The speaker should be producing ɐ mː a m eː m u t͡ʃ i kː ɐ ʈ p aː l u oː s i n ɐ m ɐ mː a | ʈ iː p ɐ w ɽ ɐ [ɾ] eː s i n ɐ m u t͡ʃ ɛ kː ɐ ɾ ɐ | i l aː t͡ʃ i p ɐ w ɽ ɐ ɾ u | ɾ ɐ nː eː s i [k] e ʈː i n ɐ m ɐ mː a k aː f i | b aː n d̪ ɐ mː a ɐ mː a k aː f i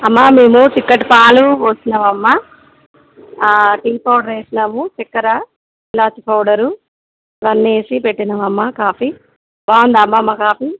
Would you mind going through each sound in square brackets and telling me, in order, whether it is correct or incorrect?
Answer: correct, incorrect: p

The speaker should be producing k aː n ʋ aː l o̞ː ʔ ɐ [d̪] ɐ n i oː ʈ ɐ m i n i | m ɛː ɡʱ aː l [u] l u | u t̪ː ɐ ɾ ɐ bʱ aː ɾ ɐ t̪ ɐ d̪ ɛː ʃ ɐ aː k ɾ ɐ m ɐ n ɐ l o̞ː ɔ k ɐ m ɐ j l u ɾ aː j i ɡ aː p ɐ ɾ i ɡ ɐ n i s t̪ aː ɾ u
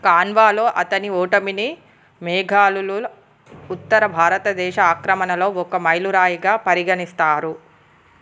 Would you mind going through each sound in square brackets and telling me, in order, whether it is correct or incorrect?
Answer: incorrect: t̪, correct

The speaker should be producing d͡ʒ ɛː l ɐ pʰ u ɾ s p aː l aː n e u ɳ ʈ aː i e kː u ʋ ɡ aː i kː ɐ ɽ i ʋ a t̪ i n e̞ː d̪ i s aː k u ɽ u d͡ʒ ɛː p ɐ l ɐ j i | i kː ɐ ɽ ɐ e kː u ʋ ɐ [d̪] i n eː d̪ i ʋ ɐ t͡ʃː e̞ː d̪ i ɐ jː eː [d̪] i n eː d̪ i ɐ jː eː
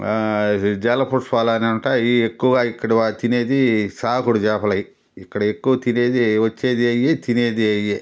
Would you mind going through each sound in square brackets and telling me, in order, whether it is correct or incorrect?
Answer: incorrect: t̪, incorrect: t̪

